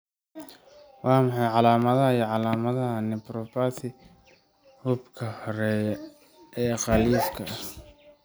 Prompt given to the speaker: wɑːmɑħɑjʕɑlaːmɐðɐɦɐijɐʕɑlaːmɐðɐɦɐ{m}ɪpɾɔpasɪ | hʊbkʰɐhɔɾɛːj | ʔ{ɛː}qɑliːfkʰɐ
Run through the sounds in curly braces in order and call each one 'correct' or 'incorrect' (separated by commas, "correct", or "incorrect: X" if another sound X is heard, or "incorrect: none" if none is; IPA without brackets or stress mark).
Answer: incorrect: n, correct